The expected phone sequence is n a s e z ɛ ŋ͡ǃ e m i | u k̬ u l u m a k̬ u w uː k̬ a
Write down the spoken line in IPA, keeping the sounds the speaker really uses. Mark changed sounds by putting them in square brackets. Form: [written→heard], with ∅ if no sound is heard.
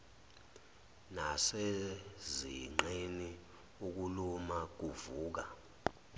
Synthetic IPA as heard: n a s e z [ɛ→i] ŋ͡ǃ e [m→n] i | u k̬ u l u m a k̬ u [w→v] uː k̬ a